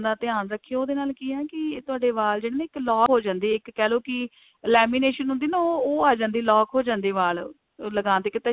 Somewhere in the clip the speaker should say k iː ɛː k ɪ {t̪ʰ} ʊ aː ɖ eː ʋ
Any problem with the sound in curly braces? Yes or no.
yes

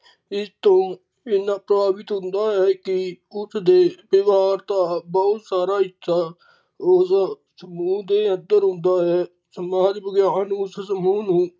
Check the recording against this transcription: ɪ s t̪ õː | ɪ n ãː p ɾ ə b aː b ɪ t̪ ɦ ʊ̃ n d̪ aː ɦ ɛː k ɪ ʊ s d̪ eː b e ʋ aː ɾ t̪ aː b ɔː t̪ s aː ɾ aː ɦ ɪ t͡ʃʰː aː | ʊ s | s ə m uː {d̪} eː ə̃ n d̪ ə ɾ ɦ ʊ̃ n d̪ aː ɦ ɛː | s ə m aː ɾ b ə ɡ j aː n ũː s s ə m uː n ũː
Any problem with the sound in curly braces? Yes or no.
no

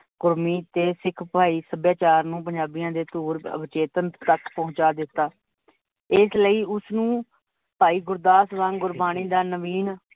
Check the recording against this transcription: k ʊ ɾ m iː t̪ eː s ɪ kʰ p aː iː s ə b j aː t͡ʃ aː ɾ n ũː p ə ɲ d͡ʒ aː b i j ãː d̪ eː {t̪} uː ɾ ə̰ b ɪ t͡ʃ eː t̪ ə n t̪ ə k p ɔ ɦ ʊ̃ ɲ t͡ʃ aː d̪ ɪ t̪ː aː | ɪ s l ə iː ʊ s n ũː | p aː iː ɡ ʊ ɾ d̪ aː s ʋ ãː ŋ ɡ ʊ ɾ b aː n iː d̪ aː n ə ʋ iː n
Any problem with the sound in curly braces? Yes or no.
no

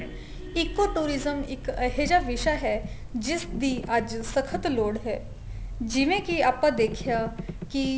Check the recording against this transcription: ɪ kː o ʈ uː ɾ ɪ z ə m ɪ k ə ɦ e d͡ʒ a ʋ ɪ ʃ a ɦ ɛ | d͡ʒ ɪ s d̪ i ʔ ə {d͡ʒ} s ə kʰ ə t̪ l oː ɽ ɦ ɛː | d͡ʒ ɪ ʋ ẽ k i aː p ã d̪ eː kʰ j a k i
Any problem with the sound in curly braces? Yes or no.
no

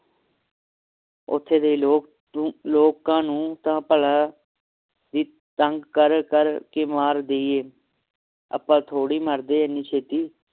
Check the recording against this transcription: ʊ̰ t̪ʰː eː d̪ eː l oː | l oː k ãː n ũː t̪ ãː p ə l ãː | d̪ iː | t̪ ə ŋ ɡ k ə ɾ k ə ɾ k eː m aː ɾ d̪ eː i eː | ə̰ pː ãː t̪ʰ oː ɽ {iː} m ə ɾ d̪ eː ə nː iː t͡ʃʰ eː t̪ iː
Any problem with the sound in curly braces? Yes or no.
no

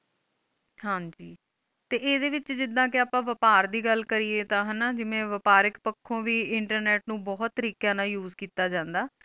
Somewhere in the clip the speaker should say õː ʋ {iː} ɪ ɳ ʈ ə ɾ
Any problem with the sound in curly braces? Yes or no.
no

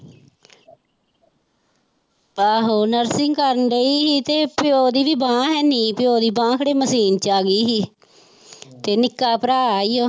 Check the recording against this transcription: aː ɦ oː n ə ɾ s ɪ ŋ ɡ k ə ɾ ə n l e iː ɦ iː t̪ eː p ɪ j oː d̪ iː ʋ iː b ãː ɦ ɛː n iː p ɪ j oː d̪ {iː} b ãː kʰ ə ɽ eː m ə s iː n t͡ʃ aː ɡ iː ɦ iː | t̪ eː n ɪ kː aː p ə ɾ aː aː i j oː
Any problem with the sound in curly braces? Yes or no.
no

